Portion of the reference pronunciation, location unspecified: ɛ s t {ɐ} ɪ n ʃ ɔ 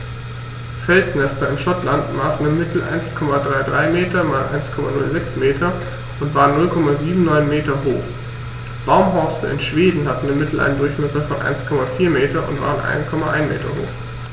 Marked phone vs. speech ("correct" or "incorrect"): correct